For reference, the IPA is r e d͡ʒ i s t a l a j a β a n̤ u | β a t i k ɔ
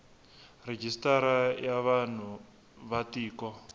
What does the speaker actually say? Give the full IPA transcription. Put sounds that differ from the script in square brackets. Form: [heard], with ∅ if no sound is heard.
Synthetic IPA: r e d͡ʒ i s t a [ɾ] a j a β a n̤ u | β a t [iː] k ɔ